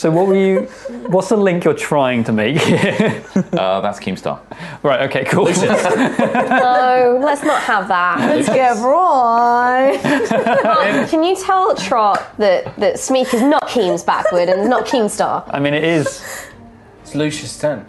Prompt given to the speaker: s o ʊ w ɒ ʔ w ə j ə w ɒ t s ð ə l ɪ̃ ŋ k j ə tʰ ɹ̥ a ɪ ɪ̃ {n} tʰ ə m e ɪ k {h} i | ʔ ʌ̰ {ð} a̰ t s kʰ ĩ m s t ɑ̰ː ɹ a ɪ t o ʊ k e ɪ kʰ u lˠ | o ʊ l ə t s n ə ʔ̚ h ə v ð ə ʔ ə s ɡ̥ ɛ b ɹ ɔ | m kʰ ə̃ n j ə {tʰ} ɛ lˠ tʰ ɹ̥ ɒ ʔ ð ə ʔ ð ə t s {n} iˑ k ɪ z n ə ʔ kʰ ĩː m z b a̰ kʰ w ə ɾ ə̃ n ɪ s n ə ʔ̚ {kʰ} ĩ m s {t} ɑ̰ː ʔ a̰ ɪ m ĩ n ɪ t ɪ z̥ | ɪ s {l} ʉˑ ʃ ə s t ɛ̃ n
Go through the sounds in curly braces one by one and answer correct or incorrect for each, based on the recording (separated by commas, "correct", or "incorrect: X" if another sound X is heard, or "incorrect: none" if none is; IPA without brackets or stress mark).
incorrect: ŋ, correct, correct, correct, incorrect: m, correct, correct, correct